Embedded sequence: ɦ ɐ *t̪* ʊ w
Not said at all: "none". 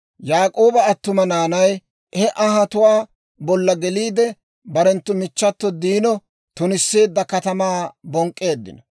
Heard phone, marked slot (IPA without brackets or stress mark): t̪